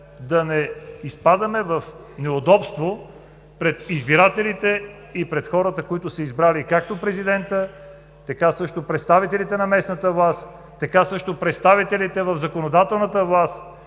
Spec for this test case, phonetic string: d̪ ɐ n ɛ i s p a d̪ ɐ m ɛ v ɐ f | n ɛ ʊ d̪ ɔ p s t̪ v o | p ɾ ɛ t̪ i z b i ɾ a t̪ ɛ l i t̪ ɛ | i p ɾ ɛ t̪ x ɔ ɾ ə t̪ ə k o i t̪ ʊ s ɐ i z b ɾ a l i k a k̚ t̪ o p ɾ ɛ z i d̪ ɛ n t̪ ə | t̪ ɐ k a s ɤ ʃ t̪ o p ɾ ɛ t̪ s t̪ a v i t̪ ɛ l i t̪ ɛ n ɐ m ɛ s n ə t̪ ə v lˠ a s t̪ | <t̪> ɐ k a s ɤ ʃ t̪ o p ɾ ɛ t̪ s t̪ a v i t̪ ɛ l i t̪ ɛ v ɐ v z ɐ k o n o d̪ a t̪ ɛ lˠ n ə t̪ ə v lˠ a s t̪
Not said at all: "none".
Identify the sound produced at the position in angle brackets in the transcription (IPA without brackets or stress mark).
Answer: t̪